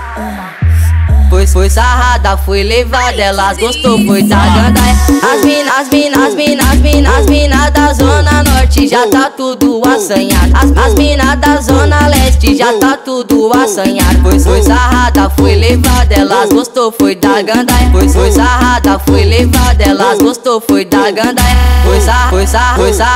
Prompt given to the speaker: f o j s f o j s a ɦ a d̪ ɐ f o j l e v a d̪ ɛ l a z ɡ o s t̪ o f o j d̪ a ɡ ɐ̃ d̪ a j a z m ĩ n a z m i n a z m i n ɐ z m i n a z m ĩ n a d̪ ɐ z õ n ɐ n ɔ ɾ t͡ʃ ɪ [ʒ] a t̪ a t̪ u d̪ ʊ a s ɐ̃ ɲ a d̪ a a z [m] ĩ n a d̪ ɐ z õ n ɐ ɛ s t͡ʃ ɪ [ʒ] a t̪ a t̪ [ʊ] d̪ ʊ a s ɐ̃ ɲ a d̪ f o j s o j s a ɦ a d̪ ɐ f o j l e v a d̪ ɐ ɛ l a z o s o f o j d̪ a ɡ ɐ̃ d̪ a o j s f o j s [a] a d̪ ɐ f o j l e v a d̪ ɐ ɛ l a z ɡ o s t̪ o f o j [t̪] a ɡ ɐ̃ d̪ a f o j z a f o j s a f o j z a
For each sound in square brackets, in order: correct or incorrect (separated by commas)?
correct, correct, correct, incorrect, correct, incorrect